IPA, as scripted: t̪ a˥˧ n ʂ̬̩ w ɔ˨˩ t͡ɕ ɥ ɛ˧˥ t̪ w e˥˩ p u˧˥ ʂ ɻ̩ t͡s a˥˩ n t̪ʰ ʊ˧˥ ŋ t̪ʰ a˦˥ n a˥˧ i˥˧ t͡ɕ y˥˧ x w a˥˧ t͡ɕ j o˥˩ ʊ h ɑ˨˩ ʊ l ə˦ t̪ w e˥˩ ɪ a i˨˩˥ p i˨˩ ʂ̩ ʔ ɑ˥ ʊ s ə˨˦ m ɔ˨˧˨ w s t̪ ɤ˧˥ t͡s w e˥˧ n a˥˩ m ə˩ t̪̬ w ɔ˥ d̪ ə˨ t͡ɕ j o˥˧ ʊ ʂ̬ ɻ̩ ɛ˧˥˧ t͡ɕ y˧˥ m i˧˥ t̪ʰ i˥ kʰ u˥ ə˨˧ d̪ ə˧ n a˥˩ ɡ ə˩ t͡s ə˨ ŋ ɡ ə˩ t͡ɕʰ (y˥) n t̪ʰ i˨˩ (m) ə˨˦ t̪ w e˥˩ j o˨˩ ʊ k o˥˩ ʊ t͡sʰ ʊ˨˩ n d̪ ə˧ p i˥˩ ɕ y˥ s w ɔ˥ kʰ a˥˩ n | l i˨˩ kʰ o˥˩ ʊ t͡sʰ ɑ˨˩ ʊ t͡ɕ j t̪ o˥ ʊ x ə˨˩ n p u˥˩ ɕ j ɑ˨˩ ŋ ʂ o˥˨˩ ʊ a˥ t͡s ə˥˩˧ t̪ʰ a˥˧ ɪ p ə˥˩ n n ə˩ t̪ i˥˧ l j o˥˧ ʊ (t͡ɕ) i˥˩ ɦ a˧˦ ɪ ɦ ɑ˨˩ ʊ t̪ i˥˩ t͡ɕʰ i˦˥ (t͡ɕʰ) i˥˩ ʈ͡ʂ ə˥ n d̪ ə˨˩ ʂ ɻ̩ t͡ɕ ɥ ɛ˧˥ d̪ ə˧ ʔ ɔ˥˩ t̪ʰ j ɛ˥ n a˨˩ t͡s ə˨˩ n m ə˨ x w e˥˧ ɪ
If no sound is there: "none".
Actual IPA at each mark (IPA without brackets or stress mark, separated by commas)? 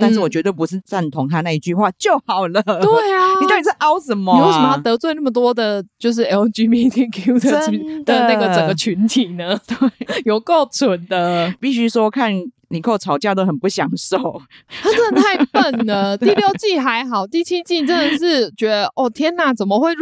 y˧˥, n, t͡ɕ, t͡ɕ